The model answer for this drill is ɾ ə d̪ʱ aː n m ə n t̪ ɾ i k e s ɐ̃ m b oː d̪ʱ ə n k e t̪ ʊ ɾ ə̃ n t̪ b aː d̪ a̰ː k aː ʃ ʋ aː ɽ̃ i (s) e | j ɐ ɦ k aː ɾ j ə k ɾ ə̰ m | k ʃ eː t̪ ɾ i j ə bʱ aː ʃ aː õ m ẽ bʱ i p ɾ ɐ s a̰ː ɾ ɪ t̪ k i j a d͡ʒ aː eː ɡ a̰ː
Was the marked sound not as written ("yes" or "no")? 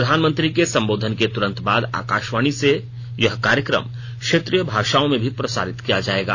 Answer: no